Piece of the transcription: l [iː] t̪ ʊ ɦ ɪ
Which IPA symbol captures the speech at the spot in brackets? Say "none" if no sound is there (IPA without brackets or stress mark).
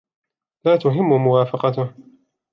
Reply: aː